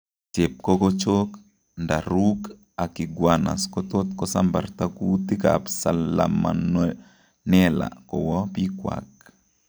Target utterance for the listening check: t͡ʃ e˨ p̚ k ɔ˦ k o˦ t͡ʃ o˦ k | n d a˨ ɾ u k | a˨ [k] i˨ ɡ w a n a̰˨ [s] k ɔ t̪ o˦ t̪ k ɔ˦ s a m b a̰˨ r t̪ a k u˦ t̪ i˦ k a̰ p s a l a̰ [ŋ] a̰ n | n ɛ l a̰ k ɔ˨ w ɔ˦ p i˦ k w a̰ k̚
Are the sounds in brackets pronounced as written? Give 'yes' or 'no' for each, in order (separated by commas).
yes, yes, no